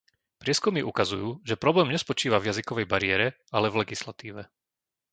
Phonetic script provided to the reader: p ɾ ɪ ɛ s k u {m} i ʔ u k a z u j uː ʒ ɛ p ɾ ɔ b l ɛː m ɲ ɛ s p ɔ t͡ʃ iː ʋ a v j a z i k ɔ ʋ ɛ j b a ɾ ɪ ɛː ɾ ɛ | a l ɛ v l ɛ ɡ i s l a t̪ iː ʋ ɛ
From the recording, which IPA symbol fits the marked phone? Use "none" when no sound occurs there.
m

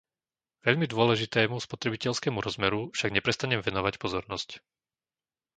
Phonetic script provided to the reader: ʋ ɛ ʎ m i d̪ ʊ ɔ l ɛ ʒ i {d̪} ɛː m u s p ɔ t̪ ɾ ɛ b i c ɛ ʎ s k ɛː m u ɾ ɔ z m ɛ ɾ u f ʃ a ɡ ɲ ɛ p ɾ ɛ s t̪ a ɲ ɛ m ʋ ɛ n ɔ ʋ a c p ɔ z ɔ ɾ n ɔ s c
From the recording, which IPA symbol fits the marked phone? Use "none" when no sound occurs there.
t̪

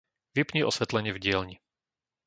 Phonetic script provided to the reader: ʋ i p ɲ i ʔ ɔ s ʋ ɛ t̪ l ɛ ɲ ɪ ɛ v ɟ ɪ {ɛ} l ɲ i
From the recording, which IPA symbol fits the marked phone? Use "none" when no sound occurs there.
ɛ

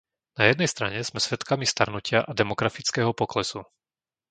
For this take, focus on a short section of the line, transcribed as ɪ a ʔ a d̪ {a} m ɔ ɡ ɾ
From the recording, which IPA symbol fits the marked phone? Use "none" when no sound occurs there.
ɛ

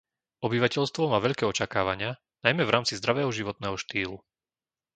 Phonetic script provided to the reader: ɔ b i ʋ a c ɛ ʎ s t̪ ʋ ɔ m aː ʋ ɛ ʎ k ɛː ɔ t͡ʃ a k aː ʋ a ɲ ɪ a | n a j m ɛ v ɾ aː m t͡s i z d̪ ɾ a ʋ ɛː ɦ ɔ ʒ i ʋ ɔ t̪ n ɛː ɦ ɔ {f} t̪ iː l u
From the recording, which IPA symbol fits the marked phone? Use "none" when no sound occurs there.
ʃ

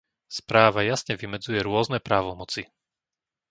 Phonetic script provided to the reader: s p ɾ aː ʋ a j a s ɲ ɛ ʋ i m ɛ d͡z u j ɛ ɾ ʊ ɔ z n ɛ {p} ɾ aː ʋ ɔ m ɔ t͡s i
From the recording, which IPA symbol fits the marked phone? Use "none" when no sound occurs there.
p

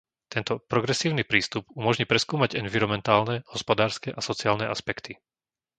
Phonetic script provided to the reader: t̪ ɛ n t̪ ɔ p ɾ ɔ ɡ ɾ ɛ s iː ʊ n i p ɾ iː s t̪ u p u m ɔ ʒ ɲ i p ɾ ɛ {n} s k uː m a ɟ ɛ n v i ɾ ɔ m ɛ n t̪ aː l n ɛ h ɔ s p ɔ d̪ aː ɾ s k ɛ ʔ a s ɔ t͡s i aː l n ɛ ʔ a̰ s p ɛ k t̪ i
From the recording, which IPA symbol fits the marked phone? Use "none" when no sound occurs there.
none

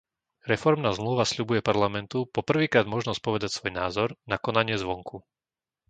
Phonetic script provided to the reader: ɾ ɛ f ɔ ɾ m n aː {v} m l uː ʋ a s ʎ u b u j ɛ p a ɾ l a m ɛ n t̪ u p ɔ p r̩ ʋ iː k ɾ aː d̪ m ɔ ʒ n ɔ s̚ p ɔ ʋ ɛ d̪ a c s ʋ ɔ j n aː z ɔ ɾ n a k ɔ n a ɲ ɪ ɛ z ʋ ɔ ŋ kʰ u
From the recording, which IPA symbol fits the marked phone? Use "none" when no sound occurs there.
z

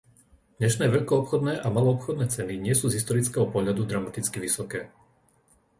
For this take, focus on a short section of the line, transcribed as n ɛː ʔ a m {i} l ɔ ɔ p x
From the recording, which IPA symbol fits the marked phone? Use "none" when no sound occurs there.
a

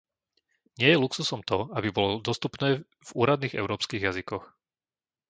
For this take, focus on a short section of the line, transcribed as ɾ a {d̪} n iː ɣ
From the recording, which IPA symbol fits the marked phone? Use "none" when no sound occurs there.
d̪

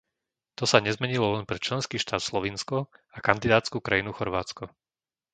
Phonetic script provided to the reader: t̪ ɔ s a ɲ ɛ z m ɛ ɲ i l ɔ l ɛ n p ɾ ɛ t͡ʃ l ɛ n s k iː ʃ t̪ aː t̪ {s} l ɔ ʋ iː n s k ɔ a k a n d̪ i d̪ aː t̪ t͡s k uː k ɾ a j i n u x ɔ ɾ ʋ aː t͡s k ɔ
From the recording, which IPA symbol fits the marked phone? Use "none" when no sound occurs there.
s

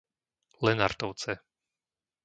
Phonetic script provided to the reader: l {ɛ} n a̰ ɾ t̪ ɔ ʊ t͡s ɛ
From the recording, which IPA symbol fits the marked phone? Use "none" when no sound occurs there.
ɛ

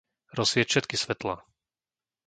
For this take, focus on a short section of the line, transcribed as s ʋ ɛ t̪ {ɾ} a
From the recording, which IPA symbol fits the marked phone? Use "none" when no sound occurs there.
l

